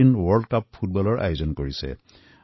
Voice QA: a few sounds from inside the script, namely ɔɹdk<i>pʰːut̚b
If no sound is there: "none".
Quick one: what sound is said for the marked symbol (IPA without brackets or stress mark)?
a